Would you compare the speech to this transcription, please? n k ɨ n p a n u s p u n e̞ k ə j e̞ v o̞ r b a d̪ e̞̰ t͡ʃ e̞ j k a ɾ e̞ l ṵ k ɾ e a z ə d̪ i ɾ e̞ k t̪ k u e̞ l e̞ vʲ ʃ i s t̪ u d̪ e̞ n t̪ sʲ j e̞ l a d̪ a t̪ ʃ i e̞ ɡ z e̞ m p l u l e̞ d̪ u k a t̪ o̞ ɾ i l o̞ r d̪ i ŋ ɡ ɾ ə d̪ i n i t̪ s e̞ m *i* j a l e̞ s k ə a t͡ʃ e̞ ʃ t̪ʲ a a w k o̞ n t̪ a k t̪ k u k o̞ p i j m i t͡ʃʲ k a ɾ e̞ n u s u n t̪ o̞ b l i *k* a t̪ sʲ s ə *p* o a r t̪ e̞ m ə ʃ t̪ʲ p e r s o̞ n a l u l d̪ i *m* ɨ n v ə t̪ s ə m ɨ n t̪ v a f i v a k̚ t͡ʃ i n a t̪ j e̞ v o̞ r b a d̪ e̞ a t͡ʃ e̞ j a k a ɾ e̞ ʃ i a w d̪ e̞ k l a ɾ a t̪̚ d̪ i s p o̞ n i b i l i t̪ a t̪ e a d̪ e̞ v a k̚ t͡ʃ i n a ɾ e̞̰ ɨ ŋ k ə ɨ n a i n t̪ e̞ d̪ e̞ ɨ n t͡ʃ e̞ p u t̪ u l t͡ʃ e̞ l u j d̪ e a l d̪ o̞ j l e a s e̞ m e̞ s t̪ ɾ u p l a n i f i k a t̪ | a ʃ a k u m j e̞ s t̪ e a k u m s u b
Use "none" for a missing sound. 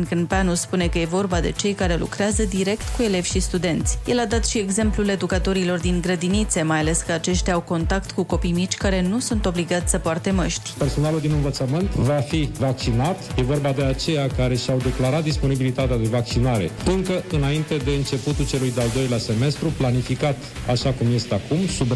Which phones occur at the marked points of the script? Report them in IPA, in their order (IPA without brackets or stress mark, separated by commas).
a, ɡ, p, n